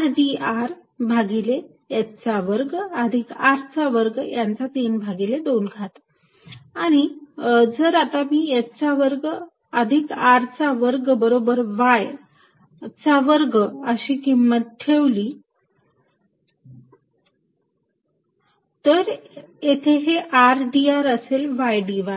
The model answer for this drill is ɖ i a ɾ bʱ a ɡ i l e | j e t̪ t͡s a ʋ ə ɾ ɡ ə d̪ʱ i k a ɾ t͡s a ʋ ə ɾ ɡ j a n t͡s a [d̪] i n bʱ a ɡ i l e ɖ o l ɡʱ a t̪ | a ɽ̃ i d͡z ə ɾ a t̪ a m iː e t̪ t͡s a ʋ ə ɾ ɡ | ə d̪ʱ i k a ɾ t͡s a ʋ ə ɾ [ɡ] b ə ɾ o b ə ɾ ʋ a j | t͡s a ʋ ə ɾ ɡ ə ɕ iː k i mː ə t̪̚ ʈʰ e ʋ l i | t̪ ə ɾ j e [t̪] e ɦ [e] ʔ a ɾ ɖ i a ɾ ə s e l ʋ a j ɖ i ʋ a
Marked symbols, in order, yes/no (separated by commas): no, yes, no, yes